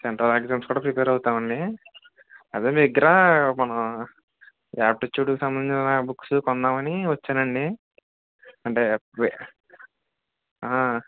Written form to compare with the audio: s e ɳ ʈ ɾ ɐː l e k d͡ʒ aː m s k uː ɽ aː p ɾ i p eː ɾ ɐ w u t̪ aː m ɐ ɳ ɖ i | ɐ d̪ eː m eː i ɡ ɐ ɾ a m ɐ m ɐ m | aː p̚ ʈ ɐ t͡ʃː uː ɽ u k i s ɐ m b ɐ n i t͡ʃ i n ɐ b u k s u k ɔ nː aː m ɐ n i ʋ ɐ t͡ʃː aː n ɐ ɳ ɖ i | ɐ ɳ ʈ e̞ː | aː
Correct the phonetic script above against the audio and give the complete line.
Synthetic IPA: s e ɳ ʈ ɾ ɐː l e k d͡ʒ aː m s k uː ɽ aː p ɾ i p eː ɾ ɐ w u t̪ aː m ɐ ɳ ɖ i | ɐ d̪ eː m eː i ɡ ɐ ɾ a m ɐ n ɐ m | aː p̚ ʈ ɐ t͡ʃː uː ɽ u k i s ɐ m b ɐ n i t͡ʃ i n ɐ b u k s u k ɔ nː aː m ɐ n i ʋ ɐ t͡ʃː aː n ɐ ɳ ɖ i | ɐ ɳ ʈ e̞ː | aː